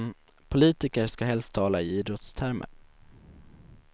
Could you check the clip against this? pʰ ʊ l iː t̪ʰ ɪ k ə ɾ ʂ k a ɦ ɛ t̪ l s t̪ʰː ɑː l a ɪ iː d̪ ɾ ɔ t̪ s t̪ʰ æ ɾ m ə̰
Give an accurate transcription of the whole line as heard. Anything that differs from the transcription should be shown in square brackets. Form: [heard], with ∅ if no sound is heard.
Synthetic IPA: pʰ ʊ l iː [t̪] ɪ k ə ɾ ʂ k a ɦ ɛ [∅] l s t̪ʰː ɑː l a ɪ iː d̪ ɾ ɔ t̪ s t̪ʰ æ ɾ m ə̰